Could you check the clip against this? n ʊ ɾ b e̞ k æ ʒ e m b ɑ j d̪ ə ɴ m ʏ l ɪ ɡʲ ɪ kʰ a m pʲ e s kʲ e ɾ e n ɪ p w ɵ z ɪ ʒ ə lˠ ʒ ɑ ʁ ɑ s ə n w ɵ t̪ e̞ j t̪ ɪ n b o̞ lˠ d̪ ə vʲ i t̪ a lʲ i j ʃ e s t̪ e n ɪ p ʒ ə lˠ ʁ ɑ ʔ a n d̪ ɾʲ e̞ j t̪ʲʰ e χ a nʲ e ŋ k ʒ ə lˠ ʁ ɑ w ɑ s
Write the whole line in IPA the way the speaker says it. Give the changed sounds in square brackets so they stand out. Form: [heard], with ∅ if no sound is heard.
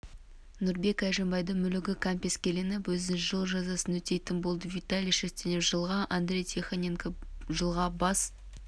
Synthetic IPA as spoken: n ʊ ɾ b e̞ k æ ʒ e m b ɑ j d̪ ə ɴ m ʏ l ɪ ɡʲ ɪ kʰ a m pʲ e s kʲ e [l] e n ɪ p w ɵ z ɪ ʒ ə lˠ ʒ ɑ [z] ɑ s ə n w ɵ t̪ e̞ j t̪ ɪ n b o̞ lˠ d̪ ə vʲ i t̪ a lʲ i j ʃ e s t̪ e n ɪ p ʒ ə lˠ ʁ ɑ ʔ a n d̪ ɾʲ e̞ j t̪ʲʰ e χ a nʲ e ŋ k ʒ ə lˠ ʁ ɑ [b] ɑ s